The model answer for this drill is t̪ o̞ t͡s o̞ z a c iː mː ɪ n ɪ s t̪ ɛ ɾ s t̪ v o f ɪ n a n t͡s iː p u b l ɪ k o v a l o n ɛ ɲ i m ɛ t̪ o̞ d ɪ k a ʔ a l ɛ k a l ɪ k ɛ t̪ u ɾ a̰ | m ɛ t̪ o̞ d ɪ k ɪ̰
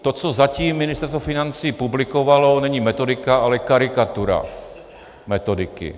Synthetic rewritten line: t̪ o̞ t͡s o̞ z a c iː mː ɪ n ɪ s t̪ ɛ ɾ s t̪ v o f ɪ n a n t͡s iː p u b l ɪ k o v a l o n ɛ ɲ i m ɛ t̪ o̞ d ɪ k a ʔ a l ɛ k a ɾ ɪ k a t̪ u ɾ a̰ | m ɛ t̪ o̞ d ɪ k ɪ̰